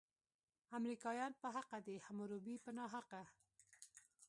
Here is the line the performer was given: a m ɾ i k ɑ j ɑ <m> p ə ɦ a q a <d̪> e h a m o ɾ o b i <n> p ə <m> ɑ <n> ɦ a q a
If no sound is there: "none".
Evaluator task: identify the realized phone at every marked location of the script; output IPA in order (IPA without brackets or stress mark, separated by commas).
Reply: n, d̪, none, n, none